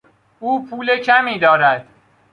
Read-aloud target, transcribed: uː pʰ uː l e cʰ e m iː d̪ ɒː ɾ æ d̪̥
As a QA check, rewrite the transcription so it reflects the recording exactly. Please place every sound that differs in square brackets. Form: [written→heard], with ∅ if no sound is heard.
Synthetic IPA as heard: uː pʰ uː l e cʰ [e→æ] m iː d̪ ɒː ɾ æ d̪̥